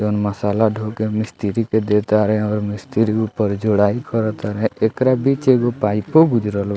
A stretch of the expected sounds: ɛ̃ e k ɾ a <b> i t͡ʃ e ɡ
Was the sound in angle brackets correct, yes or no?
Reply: yes